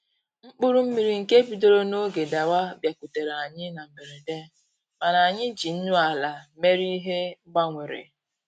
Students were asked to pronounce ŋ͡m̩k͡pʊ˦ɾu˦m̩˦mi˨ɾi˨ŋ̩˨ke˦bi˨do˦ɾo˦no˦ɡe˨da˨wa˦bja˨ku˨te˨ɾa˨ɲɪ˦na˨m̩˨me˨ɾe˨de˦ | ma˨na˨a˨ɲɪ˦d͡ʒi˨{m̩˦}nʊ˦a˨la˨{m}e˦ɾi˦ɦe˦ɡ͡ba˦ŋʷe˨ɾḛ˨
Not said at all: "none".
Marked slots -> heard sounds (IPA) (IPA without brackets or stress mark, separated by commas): n̩˦, m